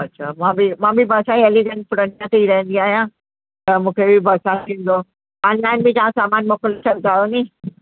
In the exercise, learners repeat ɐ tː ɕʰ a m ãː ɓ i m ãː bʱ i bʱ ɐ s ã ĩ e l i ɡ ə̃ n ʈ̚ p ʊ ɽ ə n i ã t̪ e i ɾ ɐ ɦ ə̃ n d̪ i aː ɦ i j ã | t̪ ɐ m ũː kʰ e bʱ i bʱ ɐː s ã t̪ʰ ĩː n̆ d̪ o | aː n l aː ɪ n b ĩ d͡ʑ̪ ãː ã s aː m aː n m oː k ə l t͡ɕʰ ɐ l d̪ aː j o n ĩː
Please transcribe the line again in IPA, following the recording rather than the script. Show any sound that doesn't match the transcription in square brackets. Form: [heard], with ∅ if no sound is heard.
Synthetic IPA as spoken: ɐ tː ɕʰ a m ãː [b] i m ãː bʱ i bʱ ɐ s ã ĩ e l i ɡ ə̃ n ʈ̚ p ʊ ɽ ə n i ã t̪ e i ɾ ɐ ɦ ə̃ n d̪ i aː ɦ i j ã | t̪ ɐ m ũː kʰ e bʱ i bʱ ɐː s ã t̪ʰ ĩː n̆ d̪ o | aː n l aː ɪ n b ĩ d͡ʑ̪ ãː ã s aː m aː n m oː k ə l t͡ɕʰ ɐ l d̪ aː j o n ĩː